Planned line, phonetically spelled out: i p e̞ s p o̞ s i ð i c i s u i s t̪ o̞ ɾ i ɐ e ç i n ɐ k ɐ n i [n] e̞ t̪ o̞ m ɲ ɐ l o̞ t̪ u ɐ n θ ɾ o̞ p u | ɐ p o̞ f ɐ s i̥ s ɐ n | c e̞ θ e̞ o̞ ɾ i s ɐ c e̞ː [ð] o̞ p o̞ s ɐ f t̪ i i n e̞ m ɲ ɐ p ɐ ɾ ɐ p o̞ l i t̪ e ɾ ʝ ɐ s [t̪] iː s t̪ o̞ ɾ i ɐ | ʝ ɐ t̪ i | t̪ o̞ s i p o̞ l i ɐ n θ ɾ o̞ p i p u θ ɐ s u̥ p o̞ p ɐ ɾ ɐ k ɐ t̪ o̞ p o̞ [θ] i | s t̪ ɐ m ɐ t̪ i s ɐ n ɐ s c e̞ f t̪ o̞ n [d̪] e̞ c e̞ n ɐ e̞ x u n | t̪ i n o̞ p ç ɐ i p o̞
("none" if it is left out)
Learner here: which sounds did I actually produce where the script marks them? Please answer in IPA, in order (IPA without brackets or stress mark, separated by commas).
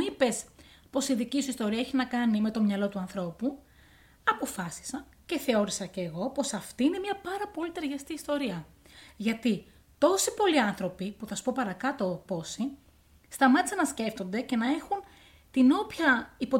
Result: m, ɣ, t̪, s, d̪